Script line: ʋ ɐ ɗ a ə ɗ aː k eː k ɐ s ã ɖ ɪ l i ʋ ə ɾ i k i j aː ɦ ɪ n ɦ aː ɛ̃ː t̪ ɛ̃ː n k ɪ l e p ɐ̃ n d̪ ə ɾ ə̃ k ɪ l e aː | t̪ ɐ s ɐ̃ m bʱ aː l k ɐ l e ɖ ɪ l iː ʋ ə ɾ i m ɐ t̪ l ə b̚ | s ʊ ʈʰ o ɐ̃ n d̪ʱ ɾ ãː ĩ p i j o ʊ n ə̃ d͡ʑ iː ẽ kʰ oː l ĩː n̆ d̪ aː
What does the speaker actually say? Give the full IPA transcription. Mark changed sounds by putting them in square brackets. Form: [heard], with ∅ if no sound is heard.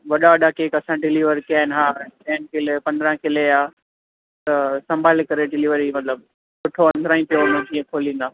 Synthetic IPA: ʋ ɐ ɗ a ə ɗ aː k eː k ɐ s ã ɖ ɪ l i ʋ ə ɾ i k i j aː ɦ ɪ n ɦ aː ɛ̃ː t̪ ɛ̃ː n k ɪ l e p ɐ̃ n d̪ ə ɾ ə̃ k ɪ l e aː | t̪ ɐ s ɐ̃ m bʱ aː l k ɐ [ɾ] e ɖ ɪ l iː ʋ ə ɾ i m ɐ t̪ l ə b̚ | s ʊ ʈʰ o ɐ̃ n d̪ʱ ɾ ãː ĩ p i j o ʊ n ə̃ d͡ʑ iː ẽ kʰ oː l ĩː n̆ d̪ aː